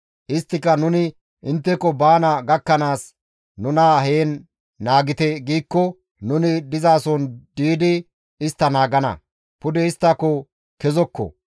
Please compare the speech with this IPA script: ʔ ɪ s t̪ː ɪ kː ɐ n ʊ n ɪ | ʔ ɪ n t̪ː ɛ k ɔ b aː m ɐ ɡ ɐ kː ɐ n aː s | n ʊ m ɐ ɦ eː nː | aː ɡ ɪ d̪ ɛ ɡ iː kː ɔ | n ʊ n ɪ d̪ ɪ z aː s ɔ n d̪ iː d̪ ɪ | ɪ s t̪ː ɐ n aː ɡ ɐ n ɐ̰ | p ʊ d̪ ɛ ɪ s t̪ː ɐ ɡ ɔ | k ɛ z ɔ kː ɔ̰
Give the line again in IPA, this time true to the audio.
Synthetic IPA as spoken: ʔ ɪ s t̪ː ɪ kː ɐ n ʊ n ɪ | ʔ ɪ n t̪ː ɛ k ɔ b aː n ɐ ɡ ɐ kː ɐ n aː s | n ʊ n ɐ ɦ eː nː | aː ɡ ɪ t̪ ɛ ɡ iː kː ɔ | n ʊ n ɪ d̪ ɪ z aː s ɔ n d̪ iː d̪ ɪ | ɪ s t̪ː ɐ n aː ɡ ɐ n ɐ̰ | p ʊ d̪ ɛ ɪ s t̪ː ɐ k ɔ | k ɛ z ɔ kː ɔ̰